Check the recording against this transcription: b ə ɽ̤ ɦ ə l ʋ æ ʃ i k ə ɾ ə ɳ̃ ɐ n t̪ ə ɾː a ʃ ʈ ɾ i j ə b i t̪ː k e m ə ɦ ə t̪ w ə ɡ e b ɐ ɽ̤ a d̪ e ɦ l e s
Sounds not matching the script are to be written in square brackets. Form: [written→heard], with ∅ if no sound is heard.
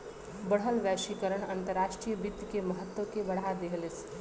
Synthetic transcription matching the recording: b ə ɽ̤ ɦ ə l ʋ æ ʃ i k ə ɾ ə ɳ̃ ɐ n t̪ ə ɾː a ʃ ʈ ɾ i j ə b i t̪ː k e m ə ɦ ə t̪ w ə [ɡ→k] e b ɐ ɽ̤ a d̪ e ɦ l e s